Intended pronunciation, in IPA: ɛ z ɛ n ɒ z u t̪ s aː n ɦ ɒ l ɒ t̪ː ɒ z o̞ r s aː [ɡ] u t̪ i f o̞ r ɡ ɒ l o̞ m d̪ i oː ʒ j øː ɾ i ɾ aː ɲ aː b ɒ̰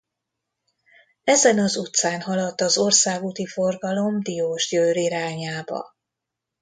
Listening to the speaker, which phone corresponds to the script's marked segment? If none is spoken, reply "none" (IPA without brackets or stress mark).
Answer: ɡ